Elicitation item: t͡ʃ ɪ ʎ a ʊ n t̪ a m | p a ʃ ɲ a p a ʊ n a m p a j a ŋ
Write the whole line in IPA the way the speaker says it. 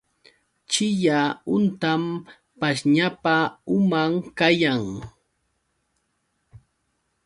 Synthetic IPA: t͡ʃ ɪ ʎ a ʊ n t̪ a m | p a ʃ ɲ a p a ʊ m a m k a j a ŋ